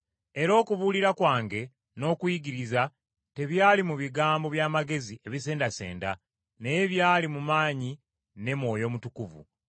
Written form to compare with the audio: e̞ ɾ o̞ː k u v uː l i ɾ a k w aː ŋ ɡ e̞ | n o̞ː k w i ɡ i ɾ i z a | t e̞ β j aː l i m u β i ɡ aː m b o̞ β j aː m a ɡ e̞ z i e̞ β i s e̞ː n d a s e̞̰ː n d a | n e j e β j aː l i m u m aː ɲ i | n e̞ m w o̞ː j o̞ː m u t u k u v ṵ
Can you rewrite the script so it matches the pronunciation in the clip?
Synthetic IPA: e̞ ɾ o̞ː k u β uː l i ɾ a k w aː ŋ ɡ e̞ | n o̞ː k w i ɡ i ɾ i z a | t e̞ β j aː l i m u β i ɡ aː m b o̞ β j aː m a ɡ e̞ z i e̞ β i s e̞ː n d a s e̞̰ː n d a | n e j e β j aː l i m u m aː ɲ i | n e̞ m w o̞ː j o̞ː m u t u k u v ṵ

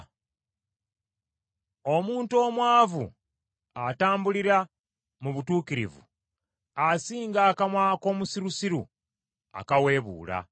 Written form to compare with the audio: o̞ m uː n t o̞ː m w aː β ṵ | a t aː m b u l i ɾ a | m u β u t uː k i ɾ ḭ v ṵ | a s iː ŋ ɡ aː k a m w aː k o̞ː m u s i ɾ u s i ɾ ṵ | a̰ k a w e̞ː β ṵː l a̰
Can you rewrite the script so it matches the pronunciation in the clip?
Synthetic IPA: o̞ m uː n t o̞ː m w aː v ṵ | a t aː m b u l i ɾ a | m u β u t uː k i ɾ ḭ v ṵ | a s iː ŋ ɡ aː k a m w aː k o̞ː m u s i ɾ u s i ɾ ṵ | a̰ k a w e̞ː β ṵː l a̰

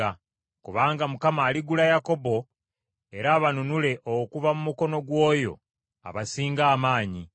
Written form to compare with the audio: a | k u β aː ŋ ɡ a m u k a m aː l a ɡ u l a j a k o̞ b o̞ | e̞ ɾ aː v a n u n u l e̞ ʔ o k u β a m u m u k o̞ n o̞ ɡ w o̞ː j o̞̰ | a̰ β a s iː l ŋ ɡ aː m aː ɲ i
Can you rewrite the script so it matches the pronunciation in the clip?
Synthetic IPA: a | k u β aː ŋ ɡ a m u k a m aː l i ɡ u l a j a k o̞ b o̞ | e̞ ɾ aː β a n u n u l e̞ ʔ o k u v a m u m u k o̞ n o̞ ɡ w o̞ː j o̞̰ | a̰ β a s iː ŋ ɡ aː m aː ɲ i

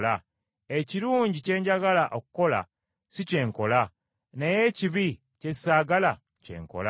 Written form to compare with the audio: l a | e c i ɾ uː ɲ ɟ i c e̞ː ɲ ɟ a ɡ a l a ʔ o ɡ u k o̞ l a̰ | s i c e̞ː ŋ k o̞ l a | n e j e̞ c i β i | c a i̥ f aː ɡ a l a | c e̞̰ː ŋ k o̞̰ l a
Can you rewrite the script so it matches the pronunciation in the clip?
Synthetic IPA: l a | e c i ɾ uː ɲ ɟ i c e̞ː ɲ ɟ a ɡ a l a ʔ o k u k o̞ l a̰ | s i c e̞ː ŋ k o̞ l a | n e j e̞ c i β i | c e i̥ s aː ɡ a l a | c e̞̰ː ŋ k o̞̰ l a

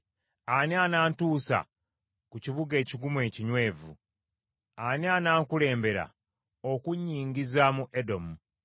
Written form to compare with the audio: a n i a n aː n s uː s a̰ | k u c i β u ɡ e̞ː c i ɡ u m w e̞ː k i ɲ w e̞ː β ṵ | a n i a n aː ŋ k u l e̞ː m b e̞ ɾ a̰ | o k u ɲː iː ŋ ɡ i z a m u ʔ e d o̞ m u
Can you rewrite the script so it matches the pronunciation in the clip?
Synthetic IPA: a n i a n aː n t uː s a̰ | k u c i β u ɡ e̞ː c i ɡ u m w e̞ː c i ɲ w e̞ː v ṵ | a n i a n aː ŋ k u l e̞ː m b e̞ ɾ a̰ | o k u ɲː iː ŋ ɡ i z a m u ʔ e d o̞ m u

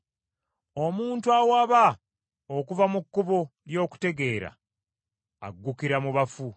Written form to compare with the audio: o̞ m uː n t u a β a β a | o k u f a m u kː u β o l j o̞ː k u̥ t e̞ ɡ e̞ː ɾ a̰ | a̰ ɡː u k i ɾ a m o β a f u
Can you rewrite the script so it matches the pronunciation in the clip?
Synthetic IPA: o̞ m uː n t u a w a β a | o k u v a m u kː u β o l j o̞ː k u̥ t e̞ ɡ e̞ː ɾ a̰ | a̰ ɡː u k i ɾ a m u β a f u

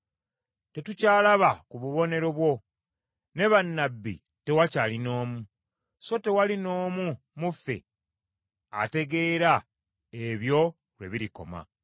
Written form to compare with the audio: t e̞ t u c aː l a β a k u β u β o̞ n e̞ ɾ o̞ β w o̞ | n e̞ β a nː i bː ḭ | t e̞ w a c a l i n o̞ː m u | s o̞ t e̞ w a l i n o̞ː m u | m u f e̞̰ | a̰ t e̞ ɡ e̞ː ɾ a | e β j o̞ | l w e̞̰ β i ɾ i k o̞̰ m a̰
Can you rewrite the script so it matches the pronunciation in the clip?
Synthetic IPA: t e̞ t u c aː l a β a k u β u β o̞ n e̞ ɾ o̞ β w o̞ | n e̞ β a nː a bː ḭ | t e̞ w a c a l i n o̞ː m u | s o̞ t e̞ w a l i n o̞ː m u | m u f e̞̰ | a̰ t e̞ ɡ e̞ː ɾ a | e β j o̞ | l w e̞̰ β i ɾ i k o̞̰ m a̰

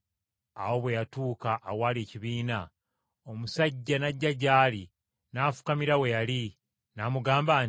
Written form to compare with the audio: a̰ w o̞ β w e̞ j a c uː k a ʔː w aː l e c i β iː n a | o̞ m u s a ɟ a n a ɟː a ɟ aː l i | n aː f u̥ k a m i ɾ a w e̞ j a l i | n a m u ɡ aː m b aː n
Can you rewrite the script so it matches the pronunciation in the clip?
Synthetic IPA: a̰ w o̞ β w e̞ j a t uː k a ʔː w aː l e c i β iː n a | o̞ m u s a ɟː a n a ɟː a ɟ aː l i | n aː f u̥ k a m i ɾ a w e̞ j a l i | n a m u ɡ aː m b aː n

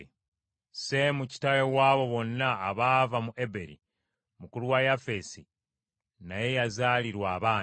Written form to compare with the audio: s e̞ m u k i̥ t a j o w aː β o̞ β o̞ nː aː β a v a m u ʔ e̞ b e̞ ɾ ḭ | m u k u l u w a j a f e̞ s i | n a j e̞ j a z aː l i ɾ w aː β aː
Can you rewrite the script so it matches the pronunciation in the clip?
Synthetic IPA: s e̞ m u c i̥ t a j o w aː β o̞ β o̞ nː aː β a v a m u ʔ e̞ b e̞ ɾ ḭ | m u k u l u w a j a f e̞ s i | n a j e̞ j a z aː l i ɾ w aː β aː

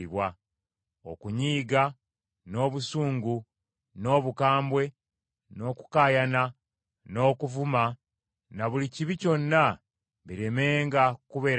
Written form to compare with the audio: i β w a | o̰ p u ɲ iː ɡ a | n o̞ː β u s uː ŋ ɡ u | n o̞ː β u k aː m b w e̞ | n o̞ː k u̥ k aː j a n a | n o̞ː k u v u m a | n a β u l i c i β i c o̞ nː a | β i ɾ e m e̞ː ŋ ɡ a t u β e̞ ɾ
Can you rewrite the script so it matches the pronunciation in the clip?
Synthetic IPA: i β w a | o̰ k u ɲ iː ɡ a | n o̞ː β u s uː ŋ ɡ u | n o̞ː β u k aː m b w e̞ | n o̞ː k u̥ k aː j a n a | n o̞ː k u v u m a | n a β u l i c i β i c o̞ nː a | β i ɾ e m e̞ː ŋ ɡ a k u β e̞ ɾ

